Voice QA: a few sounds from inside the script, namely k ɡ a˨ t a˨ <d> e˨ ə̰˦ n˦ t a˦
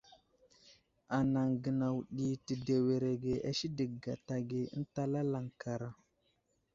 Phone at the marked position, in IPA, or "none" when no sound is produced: ɡ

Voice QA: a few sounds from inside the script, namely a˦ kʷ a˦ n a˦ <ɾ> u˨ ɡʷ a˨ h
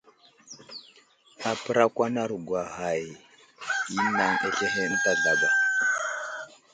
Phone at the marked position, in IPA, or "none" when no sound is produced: ɾ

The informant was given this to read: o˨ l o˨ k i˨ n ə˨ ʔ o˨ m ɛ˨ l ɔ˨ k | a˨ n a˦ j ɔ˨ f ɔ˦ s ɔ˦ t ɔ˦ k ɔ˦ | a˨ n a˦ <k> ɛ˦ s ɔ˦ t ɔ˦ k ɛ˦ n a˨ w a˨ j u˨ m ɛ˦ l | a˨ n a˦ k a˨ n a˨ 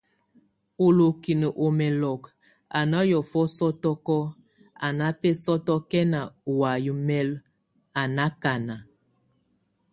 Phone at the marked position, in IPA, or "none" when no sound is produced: p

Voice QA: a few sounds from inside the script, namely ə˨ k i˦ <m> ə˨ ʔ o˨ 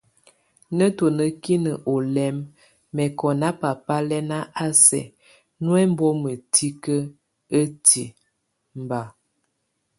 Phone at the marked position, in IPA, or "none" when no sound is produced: n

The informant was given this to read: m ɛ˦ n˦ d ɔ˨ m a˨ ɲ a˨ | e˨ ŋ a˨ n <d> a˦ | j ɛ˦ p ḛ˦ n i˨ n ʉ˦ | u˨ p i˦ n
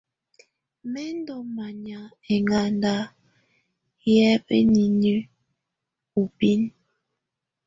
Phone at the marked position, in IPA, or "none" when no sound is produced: d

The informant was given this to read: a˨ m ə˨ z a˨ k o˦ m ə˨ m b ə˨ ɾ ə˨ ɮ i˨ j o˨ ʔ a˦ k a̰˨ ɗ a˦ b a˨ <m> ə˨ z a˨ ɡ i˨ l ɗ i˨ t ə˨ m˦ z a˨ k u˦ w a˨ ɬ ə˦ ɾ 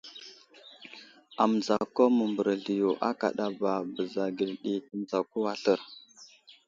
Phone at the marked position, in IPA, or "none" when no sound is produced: b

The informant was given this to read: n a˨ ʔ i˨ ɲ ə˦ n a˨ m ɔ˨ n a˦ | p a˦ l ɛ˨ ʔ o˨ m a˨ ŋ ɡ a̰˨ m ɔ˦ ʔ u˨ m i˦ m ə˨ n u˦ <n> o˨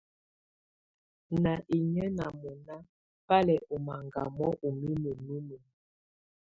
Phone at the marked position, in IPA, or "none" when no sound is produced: m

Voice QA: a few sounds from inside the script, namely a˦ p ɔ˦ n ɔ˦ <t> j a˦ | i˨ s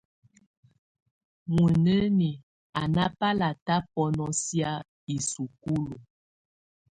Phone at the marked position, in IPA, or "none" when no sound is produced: s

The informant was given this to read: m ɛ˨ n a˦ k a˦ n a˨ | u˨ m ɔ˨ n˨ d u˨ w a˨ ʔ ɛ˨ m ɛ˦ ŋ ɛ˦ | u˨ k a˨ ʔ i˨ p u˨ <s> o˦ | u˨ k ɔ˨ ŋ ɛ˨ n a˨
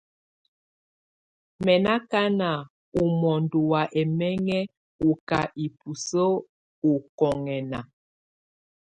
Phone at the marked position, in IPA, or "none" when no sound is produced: s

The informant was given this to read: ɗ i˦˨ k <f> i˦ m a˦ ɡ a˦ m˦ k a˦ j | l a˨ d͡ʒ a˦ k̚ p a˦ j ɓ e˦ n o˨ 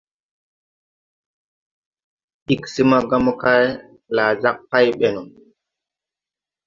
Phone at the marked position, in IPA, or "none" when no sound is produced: s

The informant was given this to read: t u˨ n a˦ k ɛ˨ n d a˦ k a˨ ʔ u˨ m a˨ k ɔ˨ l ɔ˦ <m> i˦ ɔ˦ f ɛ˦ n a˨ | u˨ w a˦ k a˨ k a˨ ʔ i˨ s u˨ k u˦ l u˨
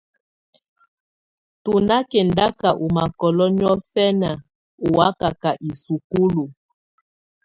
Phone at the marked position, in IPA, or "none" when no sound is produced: n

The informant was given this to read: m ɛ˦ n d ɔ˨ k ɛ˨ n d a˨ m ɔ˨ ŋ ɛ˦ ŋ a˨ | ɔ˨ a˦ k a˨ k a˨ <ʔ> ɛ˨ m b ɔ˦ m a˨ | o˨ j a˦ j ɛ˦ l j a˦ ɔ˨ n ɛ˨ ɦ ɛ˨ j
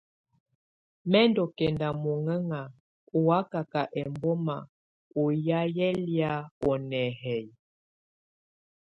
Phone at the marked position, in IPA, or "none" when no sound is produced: ʔ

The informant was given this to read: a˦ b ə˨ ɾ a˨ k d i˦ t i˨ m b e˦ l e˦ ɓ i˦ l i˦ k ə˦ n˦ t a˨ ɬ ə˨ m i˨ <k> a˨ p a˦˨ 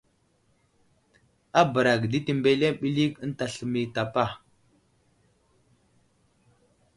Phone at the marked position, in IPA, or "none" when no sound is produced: t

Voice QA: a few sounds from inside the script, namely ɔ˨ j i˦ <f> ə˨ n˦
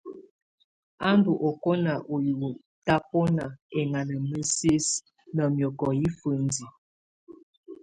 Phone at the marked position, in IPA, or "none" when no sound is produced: f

